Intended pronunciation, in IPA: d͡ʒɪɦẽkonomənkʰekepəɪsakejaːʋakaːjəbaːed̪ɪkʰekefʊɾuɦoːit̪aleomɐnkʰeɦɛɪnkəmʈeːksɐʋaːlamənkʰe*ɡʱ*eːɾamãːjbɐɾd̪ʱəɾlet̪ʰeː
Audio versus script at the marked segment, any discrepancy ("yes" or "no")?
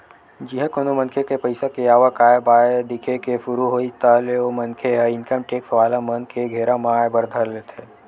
no